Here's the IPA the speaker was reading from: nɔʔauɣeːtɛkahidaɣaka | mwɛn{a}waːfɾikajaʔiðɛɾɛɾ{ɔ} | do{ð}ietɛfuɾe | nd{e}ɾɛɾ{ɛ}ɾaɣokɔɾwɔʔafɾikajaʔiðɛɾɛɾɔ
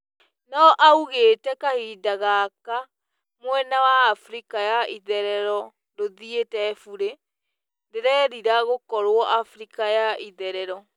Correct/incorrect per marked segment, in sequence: correct, correct, correct, correct, incorrect

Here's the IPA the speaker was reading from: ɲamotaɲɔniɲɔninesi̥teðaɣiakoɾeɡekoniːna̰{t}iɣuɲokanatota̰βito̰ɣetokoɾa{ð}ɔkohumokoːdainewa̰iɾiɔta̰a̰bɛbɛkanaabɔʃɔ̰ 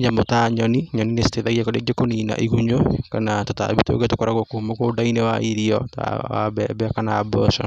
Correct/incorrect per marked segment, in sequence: incorrect, incorrect

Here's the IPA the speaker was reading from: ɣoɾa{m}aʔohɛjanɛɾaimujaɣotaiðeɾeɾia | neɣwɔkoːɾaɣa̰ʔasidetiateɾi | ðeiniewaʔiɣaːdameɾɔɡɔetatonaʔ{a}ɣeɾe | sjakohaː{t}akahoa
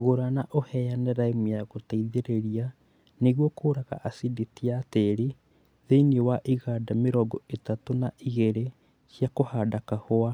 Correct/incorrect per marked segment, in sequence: incorrect, incorrect, incorrect

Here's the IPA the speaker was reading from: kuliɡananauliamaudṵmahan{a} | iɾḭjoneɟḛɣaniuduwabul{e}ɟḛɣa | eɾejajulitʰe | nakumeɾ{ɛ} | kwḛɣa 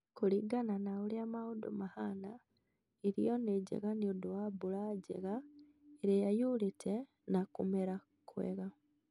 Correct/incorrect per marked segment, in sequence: correct, incorrect, incorrect

